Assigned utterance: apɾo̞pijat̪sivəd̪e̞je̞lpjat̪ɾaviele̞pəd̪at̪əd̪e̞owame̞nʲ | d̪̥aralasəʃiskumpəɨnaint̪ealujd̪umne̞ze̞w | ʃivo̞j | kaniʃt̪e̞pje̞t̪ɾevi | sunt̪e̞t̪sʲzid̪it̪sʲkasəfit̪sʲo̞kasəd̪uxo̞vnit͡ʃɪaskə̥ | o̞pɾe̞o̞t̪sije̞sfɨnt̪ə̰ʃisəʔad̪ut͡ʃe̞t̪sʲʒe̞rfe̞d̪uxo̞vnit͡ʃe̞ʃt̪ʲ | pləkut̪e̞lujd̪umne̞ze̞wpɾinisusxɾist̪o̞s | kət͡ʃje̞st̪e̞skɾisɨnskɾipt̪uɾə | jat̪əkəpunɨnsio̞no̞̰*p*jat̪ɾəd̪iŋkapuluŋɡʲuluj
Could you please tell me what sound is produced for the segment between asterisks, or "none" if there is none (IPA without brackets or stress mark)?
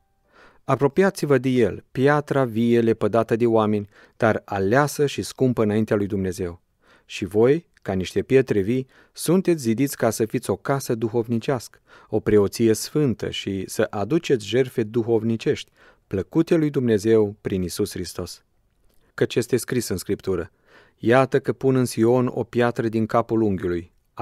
p